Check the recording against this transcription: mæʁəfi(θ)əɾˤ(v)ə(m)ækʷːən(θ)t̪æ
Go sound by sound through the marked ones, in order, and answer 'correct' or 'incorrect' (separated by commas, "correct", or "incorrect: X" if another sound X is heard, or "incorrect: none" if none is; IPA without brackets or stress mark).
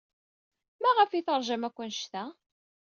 correct, incorrect: ʒ, correct, incorrect: ʃ